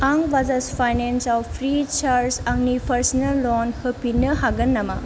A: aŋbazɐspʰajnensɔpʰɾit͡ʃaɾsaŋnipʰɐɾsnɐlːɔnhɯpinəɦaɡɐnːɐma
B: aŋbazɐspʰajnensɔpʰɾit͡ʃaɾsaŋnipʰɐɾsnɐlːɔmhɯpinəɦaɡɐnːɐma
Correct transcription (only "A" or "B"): A